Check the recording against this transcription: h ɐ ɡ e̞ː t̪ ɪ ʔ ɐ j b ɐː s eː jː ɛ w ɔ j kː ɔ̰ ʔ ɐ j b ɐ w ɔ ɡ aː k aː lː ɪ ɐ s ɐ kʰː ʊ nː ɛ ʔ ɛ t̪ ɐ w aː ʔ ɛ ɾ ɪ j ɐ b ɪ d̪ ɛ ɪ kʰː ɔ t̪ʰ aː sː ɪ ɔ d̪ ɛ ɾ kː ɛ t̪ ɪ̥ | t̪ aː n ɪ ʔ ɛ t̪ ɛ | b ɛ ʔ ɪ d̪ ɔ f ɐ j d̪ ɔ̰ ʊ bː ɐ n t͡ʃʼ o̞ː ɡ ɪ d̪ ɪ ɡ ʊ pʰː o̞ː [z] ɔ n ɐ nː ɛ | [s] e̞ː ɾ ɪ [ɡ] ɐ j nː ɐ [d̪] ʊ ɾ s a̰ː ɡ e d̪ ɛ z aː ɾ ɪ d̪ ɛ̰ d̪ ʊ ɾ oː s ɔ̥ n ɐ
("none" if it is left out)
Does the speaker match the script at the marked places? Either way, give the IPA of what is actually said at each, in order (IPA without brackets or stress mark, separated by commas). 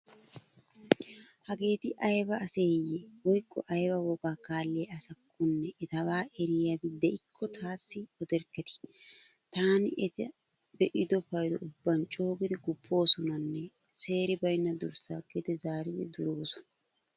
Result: s, s, b, d̪